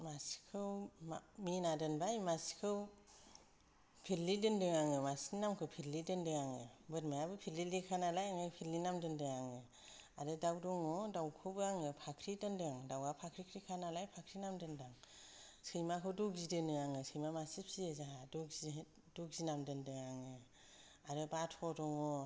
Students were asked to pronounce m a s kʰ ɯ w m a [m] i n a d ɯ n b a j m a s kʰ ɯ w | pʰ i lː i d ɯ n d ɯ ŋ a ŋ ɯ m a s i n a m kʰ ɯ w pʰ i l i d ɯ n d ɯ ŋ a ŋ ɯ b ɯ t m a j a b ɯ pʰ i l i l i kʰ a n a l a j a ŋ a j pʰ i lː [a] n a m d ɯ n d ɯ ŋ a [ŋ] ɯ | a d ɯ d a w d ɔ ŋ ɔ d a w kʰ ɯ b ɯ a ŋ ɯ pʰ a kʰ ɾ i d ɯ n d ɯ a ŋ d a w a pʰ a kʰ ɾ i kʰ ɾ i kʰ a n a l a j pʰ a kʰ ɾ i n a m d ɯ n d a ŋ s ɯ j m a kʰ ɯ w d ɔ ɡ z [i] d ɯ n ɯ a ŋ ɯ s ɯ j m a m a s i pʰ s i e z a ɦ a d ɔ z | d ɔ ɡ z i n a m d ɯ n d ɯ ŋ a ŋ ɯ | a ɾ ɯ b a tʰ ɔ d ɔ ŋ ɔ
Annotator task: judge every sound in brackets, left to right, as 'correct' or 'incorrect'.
correct, incorrect, correct, correct

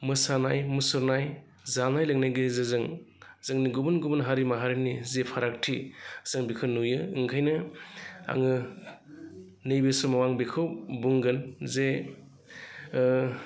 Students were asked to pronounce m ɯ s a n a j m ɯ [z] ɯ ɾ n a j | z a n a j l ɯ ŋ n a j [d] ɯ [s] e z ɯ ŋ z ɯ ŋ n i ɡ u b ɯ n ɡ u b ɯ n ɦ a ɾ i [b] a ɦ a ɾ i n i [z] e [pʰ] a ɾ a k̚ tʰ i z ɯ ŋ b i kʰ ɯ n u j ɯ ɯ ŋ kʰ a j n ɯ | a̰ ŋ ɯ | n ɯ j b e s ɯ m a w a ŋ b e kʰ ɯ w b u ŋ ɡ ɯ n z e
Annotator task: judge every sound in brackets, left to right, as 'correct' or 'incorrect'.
incorrect, incorrect, incorrect, incorrect, correct, correct

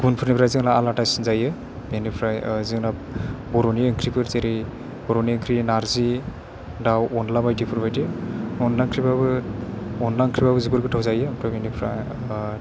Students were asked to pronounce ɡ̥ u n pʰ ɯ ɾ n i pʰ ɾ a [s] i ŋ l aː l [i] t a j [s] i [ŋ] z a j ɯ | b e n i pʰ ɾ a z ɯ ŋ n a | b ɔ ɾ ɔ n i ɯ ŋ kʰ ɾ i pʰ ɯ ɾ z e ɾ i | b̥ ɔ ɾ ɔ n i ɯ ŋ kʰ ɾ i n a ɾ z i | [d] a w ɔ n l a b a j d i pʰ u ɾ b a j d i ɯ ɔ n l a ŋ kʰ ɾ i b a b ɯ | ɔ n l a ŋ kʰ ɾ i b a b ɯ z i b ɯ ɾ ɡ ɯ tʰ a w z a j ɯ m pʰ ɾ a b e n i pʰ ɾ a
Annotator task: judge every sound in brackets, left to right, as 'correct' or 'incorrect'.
incorrect, incorrect, correct, incorrect, correct

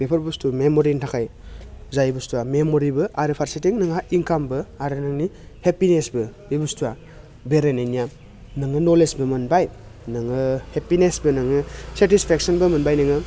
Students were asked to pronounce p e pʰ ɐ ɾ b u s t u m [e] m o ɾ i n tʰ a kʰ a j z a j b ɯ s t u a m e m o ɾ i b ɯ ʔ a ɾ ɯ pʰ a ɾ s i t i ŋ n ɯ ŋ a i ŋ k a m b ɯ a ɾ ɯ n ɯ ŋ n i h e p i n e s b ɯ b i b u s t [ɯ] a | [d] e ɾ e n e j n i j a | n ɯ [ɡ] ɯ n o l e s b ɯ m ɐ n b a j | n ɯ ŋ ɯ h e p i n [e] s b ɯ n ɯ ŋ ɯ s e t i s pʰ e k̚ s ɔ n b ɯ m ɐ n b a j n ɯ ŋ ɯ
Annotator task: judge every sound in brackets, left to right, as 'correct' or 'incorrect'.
correct, incorrect, incorrect, incorrect, correct

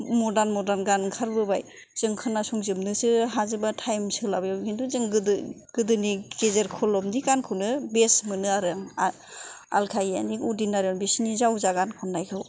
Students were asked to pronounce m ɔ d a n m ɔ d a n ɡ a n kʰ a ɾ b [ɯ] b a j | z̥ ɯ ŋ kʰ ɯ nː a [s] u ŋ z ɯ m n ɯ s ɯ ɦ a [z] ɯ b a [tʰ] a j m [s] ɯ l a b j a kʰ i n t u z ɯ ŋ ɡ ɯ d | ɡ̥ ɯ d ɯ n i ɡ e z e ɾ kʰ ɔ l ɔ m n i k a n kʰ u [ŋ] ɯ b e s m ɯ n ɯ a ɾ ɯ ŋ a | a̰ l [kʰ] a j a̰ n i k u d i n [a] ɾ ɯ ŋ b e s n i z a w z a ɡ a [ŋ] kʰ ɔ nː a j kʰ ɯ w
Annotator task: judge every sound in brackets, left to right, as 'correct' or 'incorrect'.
correct, correct, correct, correct, correct, incorrect, correct, correct, incorrect

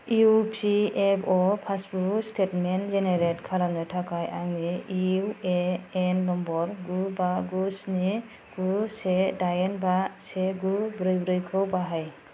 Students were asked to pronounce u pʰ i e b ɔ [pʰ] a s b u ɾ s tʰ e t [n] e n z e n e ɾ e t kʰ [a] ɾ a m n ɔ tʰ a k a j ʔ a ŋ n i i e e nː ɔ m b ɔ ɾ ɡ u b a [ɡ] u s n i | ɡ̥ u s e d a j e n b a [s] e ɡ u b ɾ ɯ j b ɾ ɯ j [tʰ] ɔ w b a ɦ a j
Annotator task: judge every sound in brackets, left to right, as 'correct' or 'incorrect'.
correct, incorrect, correct, correct, correct, incorrect

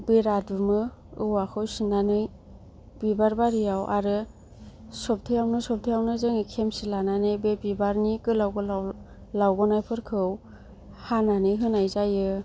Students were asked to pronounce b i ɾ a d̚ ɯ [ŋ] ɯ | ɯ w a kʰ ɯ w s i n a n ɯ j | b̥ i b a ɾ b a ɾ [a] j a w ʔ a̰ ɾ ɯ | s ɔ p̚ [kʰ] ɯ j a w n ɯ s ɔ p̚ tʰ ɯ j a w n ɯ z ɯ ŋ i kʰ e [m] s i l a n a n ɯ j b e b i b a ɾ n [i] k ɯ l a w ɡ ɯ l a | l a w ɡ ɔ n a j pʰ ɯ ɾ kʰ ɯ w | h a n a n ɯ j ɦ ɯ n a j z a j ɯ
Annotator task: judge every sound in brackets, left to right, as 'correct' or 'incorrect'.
incorrect, incorrect, incorrect, correct, correct

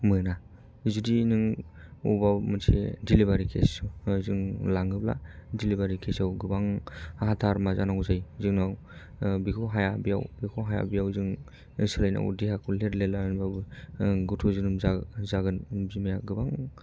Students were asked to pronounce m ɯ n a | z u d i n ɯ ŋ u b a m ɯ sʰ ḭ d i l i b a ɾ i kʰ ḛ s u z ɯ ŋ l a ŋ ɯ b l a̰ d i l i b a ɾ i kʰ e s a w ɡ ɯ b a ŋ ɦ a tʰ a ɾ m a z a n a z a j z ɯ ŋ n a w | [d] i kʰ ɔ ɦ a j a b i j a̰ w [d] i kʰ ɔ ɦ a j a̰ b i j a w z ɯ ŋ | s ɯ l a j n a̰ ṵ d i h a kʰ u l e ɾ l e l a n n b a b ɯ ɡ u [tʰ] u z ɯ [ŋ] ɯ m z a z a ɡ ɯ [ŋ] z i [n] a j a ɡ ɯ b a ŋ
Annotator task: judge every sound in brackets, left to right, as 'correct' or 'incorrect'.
incorrect, incorrect, correct, incorrect, incorrect, incorrect

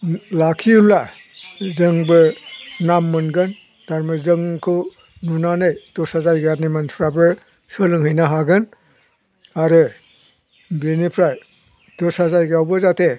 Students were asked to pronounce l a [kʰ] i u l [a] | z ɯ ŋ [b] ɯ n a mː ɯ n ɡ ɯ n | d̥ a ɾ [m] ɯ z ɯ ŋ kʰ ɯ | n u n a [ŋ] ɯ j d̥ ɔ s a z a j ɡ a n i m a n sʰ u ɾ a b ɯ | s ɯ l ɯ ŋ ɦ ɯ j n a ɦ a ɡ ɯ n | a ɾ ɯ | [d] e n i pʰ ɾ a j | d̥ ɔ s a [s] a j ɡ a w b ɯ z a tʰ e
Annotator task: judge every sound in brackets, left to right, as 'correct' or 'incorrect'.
correct, correct, correct, correct, incorrect, incorrect, incorrect

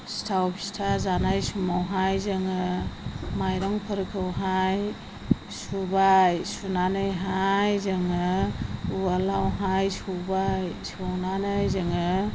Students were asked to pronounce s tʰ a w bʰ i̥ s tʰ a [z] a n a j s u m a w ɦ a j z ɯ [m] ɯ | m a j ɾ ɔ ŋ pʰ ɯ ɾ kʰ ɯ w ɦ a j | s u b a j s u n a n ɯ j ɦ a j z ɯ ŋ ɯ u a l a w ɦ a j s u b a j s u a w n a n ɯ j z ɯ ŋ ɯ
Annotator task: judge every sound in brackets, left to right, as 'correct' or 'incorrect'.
correct, incorrect

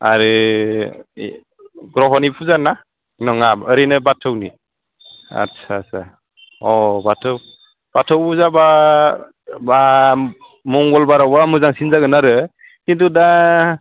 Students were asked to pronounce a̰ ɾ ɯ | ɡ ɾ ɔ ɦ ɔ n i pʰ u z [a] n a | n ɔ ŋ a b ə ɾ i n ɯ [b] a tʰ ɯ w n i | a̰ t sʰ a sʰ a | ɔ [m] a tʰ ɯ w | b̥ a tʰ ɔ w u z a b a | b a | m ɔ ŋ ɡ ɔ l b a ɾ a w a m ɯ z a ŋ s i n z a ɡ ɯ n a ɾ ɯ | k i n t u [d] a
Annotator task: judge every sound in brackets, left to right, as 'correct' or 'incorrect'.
correct, correct, incorrect, correct

